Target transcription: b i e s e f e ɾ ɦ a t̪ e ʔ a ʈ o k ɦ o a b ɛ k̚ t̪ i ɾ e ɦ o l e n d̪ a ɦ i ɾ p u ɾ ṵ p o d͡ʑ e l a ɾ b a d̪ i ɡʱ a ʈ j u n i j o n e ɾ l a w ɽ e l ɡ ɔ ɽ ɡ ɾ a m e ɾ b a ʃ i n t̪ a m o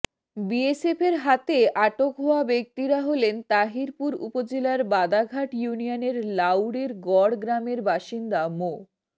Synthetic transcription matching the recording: b i e s e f e ɾ ɦ a t̪ e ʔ a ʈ o k ɦ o a b e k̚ t̪ i ɾ a ɦ o l e n t̪ a ɦ i ɾ p u ɾ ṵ p o d͡ʑ e l a ɾ b a d̪ a ɡʱ a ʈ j u n i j o n e ɾ l a w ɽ e ɾ ɡ ɔ ɽ ɡ ɾ a m e ɾ b a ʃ i n d̪ a m o